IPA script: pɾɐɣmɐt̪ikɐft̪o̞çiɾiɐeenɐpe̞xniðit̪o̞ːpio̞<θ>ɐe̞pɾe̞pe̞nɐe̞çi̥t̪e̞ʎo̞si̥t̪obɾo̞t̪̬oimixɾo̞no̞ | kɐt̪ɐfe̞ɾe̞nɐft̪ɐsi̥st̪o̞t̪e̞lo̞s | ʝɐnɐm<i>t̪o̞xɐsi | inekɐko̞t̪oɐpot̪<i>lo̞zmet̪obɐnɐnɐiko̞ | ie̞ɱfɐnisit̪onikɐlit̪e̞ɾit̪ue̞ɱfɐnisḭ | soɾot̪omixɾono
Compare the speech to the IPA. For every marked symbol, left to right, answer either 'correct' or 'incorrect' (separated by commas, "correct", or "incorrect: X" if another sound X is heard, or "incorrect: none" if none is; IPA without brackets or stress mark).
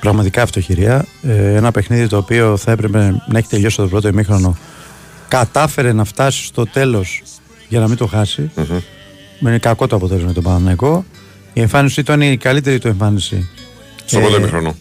correct, correct, incorrect: e